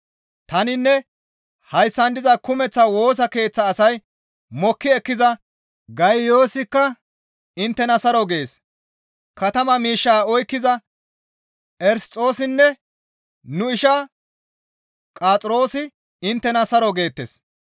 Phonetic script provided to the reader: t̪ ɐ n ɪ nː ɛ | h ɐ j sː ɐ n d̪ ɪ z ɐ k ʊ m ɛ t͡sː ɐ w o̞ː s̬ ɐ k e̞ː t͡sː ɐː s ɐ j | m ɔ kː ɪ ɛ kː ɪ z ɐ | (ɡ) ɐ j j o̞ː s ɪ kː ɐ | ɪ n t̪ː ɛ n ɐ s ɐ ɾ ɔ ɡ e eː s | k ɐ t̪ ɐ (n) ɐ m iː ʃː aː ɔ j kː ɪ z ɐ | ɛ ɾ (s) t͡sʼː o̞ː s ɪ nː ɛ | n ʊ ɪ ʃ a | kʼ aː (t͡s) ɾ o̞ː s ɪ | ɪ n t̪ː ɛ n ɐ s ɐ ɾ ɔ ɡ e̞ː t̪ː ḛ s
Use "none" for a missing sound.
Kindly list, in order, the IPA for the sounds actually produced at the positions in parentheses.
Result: ɡ, m, s, t͡sʼ

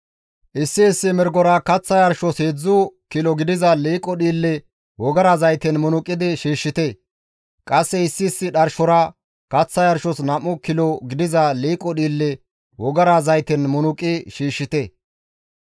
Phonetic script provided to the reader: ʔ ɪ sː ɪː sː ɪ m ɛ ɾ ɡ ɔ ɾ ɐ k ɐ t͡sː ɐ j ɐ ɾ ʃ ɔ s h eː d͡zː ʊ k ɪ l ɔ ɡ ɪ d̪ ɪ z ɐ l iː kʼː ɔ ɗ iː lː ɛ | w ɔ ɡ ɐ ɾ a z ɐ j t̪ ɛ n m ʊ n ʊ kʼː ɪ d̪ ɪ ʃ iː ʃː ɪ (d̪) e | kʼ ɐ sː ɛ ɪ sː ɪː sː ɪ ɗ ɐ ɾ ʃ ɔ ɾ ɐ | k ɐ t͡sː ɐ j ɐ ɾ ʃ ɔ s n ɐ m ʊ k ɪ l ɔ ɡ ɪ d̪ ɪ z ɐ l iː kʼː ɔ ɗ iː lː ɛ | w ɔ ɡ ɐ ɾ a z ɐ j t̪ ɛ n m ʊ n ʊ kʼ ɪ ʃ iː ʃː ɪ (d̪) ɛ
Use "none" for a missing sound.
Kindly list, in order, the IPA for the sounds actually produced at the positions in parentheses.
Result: t̪, t̪

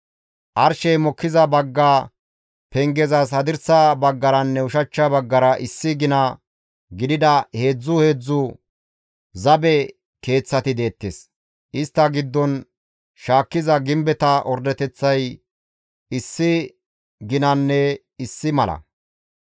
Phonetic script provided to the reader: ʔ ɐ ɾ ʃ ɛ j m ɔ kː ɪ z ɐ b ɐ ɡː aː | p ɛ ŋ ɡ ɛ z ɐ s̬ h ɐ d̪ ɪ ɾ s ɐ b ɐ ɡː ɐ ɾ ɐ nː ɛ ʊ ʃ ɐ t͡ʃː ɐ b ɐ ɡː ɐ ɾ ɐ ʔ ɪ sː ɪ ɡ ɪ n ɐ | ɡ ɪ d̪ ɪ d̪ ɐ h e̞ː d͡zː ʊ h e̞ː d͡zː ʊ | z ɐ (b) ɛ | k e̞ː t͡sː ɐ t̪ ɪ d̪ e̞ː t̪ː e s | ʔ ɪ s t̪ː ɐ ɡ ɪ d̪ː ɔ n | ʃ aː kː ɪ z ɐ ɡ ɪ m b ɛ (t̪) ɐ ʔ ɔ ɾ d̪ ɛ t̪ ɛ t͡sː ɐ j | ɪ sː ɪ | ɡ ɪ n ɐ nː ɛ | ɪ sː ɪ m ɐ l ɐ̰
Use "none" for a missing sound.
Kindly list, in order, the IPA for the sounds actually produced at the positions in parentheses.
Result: b, t̪

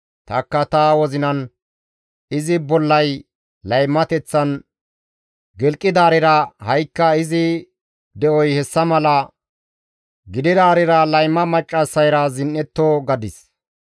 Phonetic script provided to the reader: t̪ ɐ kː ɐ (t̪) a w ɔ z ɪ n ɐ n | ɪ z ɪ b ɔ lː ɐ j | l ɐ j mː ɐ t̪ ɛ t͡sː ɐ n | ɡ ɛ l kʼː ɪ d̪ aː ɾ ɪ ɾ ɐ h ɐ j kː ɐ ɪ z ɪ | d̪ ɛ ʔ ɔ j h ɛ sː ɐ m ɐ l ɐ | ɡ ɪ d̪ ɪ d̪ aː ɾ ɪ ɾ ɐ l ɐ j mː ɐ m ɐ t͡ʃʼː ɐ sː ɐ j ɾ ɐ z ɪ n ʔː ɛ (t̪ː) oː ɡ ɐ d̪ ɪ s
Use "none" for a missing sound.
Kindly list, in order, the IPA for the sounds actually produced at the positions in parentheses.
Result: t̪, t̪ː

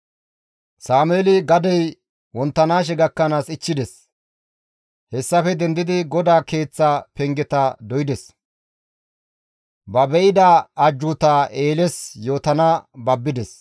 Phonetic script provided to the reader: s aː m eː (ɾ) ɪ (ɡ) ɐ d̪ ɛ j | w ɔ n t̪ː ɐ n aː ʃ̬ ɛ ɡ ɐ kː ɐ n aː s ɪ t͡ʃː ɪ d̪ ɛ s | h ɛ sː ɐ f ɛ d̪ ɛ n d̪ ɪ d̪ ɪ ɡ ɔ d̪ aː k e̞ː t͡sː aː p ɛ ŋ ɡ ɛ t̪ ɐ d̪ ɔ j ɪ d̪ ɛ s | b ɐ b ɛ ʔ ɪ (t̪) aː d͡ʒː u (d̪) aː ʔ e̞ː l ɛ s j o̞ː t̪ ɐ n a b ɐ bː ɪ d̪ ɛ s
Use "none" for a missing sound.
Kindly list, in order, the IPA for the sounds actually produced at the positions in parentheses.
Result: l, ɡ, d̪, t̪

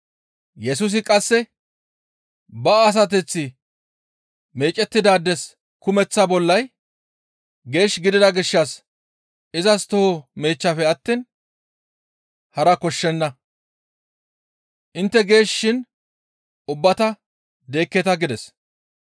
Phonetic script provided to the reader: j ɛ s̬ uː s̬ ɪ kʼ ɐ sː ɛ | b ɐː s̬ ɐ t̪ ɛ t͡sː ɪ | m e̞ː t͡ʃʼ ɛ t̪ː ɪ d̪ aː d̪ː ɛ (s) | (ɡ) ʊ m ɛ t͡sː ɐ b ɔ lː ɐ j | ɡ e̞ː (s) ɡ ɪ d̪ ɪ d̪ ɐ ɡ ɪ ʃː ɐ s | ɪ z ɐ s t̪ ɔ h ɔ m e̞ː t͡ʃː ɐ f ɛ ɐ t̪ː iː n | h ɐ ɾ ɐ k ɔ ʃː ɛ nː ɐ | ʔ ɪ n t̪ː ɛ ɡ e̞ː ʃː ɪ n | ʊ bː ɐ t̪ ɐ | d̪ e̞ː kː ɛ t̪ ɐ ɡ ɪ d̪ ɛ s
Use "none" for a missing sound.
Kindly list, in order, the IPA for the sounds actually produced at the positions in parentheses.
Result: s, k, ʃ

